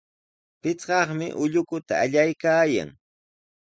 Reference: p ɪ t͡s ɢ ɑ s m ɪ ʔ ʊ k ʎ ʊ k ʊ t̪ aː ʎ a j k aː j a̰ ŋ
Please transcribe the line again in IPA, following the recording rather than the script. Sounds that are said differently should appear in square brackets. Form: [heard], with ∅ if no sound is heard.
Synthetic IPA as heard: p ɪ t͡s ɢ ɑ [χ] m ɪ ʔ ʊ [∅] ʎ ʊ k ʊ t̪ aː ʎ a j k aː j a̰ ŋ